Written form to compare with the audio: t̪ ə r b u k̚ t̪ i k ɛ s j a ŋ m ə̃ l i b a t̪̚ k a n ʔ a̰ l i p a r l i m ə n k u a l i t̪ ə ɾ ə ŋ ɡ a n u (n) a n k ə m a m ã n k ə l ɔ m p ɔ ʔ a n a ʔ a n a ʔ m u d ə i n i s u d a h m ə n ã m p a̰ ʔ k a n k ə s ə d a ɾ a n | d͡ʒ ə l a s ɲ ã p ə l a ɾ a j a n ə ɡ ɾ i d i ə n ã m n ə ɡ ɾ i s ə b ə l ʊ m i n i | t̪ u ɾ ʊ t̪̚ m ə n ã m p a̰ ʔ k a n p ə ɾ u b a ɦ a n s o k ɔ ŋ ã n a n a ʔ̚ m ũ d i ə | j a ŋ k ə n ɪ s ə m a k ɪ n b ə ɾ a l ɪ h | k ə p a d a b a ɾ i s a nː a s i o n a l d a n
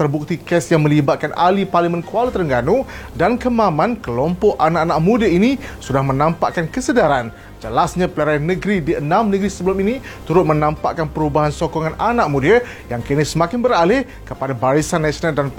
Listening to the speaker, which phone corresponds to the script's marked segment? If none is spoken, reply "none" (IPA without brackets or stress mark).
d